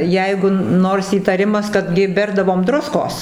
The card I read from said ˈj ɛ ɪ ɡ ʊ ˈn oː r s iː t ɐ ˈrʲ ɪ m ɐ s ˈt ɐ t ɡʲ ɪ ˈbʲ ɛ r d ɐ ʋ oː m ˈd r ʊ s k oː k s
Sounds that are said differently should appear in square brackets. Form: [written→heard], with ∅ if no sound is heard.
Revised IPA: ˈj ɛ ɪ ɡ ʊ ˈn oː r s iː t ɐ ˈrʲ ɪ m ɐ s [ˈt→ˈk] ɐ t ɡʲ ɪ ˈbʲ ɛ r d ɐ ʋ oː m ˈd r ʊ s k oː [k→∅] s